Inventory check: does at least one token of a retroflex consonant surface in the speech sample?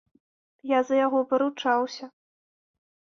yes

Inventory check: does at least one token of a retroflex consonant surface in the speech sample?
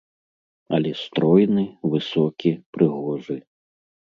yes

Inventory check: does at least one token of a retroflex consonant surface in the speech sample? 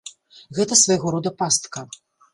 no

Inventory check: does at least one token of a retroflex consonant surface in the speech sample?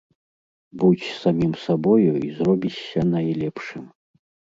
yes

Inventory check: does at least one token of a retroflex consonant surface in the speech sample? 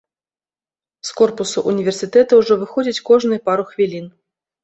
yes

